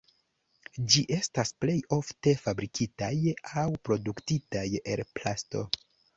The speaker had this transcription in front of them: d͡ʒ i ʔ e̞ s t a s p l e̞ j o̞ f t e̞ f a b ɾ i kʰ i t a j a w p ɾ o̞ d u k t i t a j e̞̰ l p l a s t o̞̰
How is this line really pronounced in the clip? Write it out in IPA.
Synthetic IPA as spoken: d͡ʒ i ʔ e̞ s t a s p l e̞ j o̞ f t e̞ f a b ɾ i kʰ i t a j a w p ɾ o̞ d u k t i t a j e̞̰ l p l a s t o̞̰